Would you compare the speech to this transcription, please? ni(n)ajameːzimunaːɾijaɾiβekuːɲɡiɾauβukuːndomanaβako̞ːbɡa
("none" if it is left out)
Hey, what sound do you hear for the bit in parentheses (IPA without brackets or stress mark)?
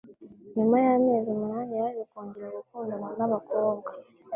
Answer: m